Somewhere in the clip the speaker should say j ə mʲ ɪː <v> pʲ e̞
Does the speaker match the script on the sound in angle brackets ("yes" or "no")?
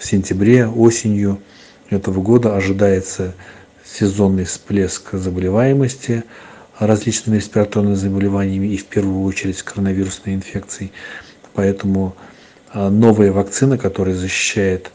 no